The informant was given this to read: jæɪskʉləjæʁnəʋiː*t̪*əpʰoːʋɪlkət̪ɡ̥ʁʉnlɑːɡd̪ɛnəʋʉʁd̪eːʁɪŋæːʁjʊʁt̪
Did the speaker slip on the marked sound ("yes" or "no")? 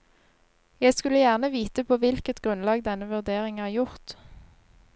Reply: no